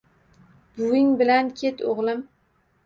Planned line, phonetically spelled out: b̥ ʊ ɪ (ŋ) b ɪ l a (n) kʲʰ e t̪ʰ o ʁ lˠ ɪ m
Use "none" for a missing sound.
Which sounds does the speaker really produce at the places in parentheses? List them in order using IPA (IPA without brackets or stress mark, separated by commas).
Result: ŋ, n